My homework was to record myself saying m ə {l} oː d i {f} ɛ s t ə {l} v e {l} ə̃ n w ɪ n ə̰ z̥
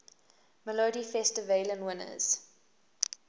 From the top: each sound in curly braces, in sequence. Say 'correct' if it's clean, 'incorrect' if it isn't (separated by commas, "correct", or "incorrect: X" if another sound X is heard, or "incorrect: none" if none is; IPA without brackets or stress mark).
correct, correct, incorrect: none, correct